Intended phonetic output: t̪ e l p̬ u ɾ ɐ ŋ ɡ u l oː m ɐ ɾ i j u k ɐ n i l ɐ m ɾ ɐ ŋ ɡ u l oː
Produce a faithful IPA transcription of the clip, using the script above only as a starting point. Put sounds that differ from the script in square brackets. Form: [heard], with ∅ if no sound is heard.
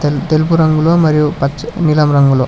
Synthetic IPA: t̪ e l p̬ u ɾ ɐ ŋ ɡ u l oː m ɐ ɾ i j u [p] ɐ n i l ɐ m ɾ ɐ ŋ ɡ u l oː